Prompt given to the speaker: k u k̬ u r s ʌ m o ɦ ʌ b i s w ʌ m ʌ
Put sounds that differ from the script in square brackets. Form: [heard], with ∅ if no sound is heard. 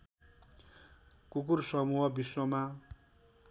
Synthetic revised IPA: k u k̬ u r s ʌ m [u] ɦ ʌ b i s w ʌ m [a]